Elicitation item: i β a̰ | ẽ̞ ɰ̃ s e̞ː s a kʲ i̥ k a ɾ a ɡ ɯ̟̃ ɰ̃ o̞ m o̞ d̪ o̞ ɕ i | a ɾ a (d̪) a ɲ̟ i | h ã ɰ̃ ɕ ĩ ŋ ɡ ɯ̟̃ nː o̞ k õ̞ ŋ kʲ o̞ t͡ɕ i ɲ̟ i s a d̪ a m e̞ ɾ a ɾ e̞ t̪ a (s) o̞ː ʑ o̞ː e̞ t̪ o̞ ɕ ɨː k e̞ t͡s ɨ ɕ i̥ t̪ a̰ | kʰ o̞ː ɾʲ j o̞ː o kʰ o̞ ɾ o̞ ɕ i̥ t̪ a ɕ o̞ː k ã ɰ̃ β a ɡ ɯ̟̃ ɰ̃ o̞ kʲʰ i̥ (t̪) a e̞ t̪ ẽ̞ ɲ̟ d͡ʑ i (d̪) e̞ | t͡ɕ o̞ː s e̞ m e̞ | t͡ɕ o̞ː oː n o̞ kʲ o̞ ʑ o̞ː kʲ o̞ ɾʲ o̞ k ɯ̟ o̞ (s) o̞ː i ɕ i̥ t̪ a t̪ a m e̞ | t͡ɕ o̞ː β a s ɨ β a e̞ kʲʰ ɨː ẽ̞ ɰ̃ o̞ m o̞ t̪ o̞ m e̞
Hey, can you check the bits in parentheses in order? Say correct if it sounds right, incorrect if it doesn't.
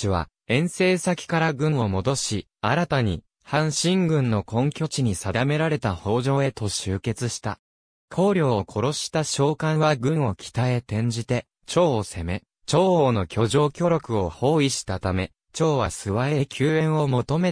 incorrect: t̪, incorrect: h, correct, incorrect: t̪, incorrect: h

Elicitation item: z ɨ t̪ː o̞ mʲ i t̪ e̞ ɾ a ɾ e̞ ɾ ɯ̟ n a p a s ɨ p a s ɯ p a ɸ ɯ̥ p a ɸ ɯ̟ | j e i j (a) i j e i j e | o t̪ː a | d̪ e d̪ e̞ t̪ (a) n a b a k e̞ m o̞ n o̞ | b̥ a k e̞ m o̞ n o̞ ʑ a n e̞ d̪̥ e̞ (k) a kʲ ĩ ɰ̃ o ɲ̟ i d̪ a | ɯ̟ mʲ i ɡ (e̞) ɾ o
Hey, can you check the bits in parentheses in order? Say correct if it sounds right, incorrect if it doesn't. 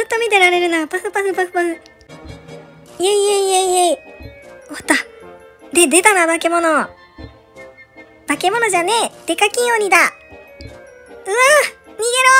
incorrect: e, correct, correct, correct

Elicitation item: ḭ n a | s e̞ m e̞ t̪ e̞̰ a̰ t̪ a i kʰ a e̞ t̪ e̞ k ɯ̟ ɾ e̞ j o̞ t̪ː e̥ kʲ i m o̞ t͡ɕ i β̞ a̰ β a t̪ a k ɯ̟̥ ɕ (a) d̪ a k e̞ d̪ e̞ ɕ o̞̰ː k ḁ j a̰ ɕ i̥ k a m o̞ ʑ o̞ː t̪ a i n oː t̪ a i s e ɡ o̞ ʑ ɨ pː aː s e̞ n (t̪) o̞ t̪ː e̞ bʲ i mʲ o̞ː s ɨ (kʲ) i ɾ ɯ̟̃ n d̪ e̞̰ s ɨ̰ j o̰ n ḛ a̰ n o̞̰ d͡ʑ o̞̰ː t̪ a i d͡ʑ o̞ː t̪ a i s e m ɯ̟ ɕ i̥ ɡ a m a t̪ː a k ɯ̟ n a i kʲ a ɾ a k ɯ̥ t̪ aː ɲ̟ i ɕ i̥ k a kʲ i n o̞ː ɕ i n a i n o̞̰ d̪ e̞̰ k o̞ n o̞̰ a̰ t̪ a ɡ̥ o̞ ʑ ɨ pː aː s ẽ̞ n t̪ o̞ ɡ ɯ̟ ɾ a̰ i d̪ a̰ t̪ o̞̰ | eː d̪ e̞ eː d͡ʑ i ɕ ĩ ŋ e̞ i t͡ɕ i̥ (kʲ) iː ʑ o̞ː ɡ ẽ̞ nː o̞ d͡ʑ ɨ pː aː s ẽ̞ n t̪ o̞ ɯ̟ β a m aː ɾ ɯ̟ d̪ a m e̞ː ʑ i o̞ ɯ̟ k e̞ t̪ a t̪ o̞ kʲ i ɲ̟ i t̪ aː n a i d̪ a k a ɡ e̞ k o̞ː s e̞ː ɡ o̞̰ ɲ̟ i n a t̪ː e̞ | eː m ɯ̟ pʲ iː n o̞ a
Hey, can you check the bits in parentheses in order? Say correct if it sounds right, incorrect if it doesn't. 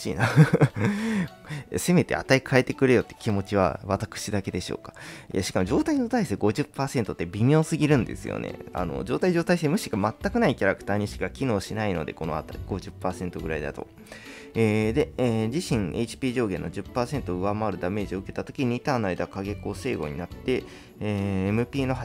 incorrect: i, correct, incorrect: ɡʲ, incorrect: pʲ

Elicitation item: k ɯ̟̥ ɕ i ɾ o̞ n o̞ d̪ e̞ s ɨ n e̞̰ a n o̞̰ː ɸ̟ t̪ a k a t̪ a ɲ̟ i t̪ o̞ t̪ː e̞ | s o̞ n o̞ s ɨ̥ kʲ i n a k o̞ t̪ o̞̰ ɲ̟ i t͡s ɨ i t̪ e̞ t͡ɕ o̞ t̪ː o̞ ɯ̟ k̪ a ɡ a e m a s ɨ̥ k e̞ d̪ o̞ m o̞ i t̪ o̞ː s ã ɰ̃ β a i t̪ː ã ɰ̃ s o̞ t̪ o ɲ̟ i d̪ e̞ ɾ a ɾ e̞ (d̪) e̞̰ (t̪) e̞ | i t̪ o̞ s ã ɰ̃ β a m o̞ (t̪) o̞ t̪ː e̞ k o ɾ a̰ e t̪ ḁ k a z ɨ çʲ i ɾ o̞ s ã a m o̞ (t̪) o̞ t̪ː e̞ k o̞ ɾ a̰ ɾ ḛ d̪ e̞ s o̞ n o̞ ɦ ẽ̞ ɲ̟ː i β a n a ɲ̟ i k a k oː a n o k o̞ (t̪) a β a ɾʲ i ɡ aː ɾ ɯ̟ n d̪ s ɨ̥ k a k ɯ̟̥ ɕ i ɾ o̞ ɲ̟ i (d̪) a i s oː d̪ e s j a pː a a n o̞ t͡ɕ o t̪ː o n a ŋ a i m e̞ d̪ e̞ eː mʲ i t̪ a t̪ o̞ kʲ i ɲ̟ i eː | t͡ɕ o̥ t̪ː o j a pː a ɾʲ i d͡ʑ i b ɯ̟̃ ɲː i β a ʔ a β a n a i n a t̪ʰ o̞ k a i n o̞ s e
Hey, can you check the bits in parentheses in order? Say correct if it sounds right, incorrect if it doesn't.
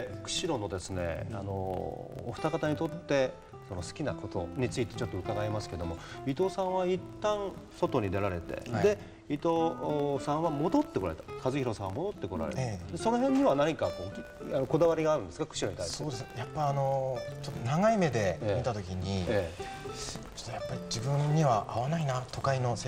incorrect: t̪, incorrect: d̪, incorrect: d̪, incorrect: d̪, incorrect: d̪, incorrect: t̪

